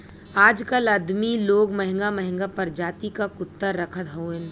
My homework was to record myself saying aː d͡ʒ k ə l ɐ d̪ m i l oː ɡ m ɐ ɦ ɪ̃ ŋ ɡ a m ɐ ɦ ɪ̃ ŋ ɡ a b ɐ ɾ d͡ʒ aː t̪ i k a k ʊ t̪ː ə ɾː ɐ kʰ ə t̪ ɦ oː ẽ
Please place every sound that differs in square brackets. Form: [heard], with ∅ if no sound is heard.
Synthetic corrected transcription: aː d͡ʒ k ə l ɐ d̪ m i l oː ɡ m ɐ ɦ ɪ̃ ŋ ɡ a m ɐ ɦ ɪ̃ ŋ ɡ a [p] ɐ ɾ d͡ʒ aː t̪ i k a k ʊ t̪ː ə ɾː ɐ kʰ ə t̪ ɦ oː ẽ